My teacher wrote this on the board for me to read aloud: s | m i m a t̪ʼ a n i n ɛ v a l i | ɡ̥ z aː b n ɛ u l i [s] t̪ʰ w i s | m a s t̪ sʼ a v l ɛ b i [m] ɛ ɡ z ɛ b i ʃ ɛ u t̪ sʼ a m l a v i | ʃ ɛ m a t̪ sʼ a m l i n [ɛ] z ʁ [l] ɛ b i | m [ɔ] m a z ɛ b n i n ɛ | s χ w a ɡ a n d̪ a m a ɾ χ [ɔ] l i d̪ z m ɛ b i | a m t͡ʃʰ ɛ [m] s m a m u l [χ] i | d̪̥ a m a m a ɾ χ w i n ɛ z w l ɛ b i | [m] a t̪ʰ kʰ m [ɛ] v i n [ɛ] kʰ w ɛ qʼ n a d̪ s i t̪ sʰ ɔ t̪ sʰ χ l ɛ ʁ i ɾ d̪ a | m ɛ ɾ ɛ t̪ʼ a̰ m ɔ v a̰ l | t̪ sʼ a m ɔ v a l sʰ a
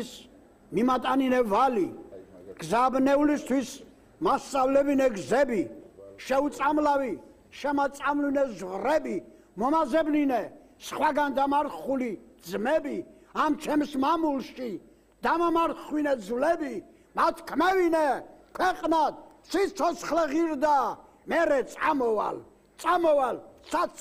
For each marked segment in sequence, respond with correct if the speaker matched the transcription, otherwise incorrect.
correct, incorrect: n, correct, incorrect: ɾ, correct, incorrect: u, correct, incorrect: ʃ, correct, correct, correct

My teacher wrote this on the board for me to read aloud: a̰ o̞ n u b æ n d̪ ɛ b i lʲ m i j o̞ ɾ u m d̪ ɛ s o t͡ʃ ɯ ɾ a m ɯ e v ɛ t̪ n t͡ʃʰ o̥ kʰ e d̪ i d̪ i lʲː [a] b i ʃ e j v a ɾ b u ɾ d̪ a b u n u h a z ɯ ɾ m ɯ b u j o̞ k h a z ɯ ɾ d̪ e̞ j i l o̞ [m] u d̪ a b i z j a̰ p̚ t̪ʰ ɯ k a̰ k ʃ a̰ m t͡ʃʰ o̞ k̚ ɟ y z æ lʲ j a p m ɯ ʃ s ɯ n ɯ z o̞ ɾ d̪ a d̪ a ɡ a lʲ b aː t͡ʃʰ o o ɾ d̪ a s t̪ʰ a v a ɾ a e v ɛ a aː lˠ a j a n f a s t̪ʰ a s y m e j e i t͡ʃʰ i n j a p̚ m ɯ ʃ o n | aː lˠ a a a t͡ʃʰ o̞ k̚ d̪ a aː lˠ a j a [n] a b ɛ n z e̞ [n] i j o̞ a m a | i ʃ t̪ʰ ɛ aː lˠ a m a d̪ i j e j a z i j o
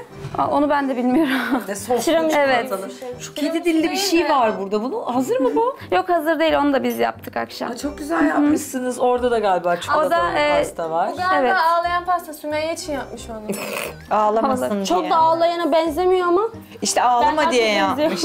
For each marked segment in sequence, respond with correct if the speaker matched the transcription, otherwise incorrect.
incorrect: i, incorrect: n, correct, incorrect: m

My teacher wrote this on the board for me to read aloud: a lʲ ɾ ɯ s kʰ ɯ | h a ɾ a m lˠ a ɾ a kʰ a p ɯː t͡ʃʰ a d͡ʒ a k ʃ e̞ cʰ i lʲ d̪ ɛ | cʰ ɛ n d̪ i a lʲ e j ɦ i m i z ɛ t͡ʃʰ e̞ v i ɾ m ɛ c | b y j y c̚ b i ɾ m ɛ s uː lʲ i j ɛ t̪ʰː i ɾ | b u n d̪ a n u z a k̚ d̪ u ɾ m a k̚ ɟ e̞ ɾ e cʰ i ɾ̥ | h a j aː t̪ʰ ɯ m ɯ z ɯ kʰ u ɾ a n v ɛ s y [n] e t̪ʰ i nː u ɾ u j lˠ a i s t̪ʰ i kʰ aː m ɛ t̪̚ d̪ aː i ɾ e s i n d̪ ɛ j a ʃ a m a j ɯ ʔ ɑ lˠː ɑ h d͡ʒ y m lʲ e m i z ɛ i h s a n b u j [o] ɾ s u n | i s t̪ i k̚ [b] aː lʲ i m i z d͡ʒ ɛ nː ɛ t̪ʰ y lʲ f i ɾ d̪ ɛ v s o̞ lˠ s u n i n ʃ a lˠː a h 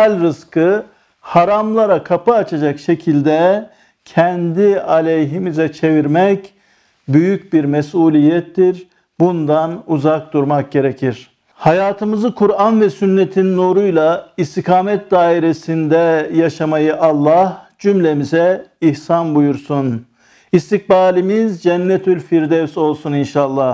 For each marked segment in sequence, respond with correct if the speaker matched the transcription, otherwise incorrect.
incorrect: nː, incorrect: u, correct

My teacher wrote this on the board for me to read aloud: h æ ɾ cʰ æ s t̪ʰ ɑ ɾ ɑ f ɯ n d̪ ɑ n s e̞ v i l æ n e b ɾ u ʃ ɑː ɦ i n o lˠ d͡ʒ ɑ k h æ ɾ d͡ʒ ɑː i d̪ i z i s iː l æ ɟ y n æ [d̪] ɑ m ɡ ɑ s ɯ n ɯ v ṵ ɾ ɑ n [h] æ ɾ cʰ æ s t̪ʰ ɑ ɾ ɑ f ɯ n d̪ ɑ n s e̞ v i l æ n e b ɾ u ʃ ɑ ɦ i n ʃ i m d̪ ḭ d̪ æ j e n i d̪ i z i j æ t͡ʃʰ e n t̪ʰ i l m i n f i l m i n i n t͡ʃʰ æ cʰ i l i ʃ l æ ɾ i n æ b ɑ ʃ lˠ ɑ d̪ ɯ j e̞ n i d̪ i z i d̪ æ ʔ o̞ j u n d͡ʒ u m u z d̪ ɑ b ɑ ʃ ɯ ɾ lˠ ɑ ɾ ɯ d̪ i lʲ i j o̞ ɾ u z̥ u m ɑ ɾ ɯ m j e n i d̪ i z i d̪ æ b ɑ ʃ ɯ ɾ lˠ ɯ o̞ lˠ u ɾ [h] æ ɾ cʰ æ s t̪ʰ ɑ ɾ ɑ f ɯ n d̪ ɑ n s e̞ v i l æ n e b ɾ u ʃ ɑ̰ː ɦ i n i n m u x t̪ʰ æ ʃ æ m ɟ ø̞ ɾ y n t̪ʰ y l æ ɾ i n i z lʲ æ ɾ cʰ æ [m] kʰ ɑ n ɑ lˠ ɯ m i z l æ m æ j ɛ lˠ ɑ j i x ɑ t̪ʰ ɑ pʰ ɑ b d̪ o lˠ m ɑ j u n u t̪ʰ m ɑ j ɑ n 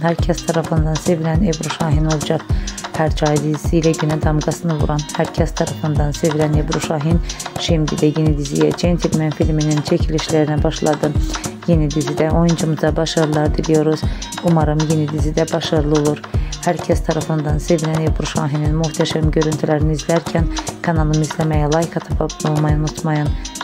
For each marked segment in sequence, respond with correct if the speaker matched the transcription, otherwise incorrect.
correct, correct, correct, incorrect: n

